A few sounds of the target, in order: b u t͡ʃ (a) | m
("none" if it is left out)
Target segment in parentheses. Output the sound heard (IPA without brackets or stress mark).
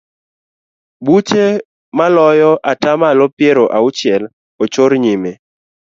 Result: e